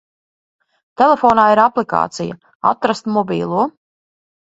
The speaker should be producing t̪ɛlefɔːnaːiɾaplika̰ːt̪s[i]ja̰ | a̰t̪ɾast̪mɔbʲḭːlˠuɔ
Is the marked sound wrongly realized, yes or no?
no